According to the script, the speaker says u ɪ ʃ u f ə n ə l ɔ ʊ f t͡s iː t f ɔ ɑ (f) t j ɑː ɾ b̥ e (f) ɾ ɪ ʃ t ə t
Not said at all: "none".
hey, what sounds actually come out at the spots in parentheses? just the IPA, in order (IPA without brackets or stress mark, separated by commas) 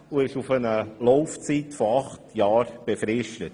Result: χ, f